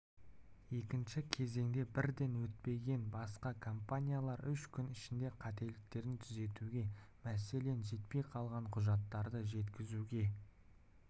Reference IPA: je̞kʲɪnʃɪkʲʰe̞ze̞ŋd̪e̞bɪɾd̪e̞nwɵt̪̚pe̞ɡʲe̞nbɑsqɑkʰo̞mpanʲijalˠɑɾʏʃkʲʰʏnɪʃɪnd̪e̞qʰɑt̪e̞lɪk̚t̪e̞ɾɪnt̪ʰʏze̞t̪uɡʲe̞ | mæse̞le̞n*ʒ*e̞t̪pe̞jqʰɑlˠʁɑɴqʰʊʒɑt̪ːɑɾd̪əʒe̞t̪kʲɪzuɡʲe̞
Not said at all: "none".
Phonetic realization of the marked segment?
ʒ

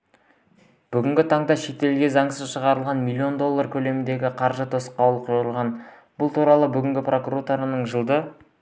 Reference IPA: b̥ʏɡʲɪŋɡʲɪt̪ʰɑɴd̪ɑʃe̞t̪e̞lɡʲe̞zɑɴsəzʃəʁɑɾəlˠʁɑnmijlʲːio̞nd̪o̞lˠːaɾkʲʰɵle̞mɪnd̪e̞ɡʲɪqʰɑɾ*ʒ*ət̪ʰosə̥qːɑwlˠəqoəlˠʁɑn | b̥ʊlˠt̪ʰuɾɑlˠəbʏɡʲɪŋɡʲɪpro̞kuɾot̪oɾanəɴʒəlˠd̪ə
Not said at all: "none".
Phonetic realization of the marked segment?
ʒ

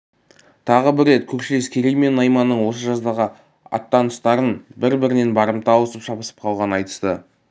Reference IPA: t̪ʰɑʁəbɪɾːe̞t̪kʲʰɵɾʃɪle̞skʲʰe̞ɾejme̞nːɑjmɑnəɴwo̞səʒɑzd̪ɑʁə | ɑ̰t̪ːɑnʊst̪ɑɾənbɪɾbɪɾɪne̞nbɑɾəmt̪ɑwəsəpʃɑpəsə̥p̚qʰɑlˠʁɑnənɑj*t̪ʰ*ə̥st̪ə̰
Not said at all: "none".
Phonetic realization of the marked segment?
t̪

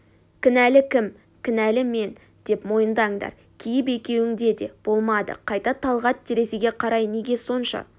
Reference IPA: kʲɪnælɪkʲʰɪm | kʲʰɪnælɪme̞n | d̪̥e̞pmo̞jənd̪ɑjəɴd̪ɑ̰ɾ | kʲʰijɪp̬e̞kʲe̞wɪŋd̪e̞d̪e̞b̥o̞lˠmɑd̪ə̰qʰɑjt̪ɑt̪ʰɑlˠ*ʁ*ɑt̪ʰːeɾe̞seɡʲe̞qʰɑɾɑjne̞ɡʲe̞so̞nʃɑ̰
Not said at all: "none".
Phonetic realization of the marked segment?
ʁ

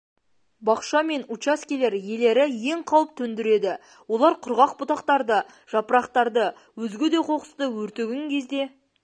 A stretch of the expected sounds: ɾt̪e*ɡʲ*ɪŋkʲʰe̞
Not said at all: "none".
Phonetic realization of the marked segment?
ɡʲ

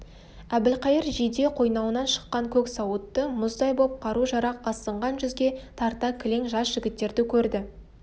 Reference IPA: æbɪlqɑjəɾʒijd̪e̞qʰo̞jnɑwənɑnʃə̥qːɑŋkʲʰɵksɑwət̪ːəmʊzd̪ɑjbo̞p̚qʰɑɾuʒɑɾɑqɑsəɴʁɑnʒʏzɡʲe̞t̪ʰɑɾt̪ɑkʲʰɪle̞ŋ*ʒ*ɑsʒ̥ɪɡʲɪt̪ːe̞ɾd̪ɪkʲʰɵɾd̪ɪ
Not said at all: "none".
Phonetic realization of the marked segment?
ʒ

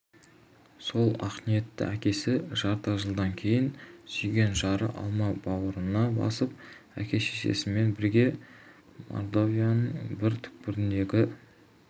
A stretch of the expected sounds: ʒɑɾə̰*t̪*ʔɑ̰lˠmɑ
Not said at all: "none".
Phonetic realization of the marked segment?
none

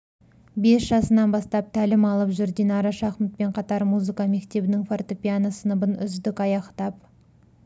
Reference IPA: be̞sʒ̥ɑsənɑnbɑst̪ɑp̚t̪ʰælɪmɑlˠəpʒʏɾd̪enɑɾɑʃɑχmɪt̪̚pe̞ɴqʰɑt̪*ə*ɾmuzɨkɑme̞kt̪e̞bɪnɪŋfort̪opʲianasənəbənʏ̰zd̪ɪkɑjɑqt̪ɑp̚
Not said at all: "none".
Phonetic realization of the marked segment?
ɑ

